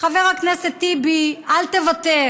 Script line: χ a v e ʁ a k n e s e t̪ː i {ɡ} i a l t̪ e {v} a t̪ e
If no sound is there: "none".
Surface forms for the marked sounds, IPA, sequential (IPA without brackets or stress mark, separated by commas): b, v